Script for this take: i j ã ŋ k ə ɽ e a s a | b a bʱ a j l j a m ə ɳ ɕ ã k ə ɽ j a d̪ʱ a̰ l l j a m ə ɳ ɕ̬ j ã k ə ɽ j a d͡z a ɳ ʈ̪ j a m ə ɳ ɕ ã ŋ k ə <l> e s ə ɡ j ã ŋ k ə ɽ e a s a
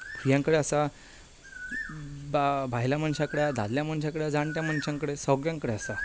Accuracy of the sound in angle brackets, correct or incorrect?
incorrect